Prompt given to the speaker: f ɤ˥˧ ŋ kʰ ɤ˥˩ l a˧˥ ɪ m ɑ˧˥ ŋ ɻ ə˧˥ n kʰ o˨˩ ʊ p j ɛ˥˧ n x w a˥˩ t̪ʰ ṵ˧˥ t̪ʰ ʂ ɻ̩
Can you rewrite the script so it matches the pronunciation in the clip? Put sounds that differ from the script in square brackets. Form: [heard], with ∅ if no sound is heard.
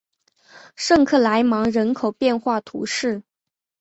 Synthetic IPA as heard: [ʂ] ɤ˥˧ ŋ kʰ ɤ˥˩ l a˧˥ ɪ m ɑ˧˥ ŋ ɻ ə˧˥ n kʰ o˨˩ ʊ p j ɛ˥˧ n x w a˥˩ t̪ʰ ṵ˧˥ [∅] ʂ ɻ̩